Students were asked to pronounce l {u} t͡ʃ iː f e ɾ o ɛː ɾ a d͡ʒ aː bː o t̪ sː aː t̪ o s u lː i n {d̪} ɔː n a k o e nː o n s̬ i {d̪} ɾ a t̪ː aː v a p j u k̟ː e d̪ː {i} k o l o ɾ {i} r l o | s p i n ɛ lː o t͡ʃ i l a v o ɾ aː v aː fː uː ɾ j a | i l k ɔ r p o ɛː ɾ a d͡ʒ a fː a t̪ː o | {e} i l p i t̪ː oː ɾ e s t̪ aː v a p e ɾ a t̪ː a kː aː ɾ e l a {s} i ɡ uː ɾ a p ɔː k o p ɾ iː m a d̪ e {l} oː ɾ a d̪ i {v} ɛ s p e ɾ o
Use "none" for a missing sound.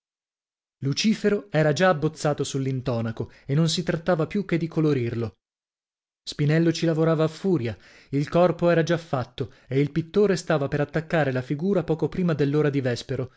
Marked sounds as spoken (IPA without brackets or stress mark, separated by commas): u, t̪, t̪, i, i, e, f, lː, v